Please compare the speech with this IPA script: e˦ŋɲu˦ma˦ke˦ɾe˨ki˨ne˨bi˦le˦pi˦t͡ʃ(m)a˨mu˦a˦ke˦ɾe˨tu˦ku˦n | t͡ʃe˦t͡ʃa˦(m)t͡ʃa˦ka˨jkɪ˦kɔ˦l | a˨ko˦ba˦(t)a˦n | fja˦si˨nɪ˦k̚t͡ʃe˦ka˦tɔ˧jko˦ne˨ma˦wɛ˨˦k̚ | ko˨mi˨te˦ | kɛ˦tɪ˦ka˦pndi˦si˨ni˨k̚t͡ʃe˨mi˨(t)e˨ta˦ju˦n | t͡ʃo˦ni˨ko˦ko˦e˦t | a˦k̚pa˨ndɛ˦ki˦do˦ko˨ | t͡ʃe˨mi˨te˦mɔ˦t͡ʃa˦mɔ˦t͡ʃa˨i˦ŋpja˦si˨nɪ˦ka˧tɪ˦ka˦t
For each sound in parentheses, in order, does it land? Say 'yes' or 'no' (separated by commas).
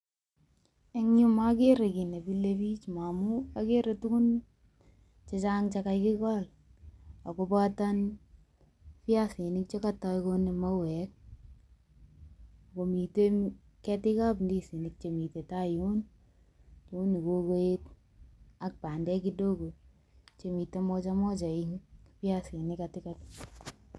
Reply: yes, no, yes, yes